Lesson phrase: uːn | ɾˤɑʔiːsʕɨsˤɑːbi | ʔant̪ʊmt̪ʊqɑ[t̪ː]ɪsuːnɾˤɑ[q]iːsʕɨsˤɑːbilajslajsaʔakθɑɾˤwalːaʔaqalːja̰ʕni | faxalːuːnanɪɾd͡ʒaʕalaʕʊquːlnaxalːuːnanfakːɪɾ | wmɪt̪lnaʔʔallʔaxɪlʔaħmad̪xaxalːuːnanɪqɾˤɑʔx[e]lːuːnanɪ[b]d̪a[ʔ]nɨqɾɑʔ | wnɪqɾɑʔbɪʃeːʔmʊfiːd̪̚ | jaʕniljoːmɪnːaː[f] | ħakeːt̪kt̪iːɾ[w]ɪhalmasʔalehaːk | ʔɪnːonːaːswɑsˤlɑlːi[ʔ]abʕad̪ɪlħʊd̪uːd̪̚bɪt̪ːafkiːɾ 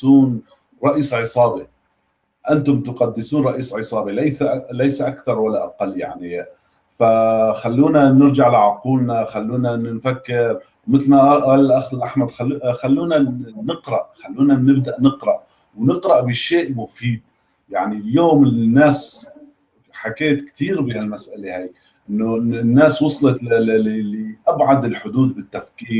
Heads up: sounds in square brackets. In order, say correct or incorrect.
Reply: incorrect, incorrect, incorrect, correct, correct, incorrect, incorrect, correct

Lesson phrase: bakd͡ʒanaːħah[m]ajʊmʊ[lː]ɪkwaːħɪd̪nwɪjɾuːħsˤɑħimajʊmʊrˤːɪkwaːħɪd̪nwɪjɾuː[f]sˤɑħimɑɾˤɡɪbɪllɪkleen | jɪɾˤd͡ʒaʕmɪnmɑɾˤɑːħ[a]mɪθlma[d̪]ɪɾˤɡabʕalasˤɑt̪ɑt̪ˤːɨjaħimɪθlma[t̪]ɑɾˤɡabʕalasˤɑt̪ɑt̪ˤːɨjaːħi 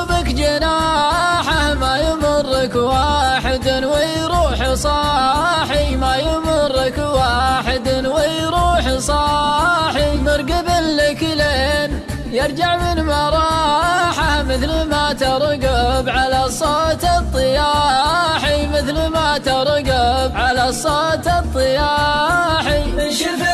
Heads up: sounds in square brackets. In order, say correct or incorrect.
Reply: correct, incorrect, incorrect, correct, incorrect, correct

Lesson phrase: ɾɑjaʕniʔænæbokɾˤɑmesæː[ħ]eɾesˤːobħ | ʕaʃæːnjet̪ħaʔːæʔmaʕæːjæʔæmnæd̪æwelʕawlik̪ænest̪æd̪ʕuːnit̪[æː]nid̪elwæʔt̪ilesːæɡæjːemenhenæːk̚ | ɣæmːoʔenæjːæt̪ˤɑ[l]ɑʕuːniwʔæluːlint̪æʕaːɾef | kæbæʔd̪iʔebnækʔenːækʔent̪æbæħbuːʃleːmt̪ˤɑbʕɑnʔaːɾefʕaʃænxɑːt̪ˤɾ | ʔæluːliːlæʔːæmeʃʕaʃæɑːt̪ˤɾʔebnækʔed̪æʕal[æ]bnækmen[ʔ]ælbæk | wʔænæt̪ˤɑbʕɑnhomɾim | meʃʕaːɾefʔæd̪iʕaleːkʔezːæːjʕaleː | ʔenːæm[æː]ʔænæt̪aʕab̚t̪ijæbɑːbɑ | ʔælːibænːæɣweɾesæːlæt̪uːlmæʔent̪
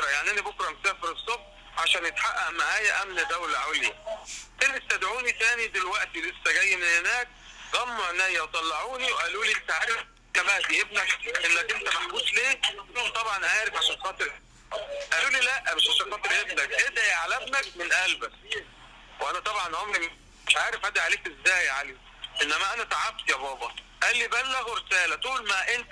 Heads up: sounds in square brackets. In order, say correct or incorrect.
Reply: incorrect, correct, incorrect, correct, correct, incorrect

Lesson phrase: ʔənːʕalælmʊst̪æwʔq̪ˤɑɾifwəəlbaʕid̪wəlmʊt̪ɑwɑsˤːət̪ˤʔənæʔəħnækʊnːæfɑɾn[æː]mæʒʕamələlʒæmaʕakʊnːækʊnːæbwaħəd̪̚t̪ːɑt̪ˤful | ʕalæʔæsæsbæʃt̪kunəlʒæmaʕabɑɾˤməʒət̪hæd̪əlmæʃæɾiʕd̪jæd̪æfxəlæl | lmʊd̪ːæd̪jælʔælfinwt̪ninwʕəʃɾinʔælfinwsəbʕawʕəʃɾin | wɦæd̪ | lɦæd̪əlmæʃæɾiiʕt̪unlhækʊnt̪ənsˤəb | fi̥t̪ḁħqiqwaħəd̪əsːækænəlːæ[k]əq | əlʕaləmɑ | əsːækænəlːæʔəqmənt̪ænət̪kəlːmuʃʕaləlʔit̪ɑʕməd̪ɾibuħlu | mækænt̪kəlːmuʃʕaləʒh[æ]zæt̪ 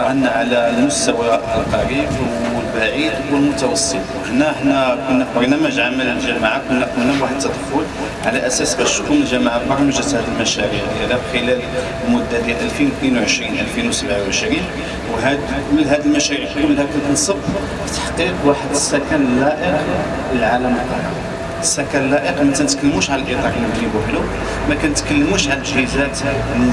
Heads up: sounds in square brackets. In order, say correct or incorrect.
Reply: incorrect, incorrect, incorrect

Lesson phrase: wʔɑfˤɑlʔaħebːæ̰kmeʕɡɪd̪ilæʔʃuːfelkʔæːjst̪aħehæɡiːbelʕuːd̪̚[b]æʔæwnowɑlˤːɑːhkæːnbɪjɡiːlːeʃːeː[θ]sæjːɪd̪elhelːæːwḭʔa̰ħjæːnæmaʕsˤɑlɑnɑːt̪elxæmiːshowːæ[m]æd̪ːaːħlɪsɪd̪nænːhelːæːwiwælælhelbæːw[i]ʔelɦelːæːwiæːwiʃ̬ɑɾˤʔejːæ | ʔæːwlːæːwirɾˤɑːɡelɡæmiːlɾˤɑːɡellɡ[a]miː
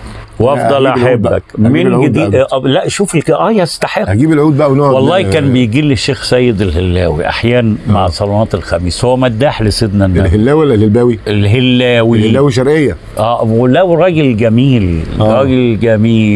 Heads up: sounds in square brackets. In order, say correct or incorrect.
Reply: correct, incorrect, correct, correct, incorrect

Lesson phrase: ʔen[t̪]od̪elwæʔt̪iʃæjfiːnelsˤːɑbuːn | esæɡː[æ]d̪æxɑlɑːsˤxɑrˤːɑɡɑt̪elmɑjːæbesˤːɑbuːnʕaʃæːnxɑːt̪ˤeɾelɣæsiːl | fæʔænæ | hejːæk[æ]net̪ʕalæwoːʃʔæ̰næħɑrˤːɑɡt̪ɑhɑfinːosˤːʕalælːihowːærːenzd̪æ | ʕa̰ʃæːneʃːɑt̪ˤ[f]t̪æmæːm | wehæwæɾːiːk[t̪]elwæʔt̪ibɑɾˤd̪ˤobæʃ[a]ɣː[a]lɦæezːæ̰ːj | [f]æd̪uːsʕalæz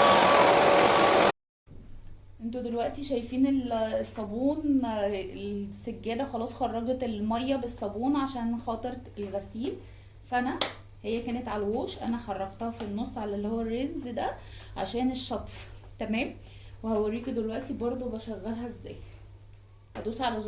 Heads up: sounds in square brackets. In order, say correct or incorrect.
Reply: correct, incorrect, incorrect, correct, incorrect, incorrect, incorrect, incorrect

